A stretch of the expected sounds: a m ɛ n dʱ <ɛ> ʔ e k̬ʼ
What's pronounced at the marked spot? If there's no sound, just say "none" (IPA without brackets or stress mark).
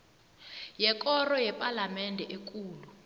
ɛ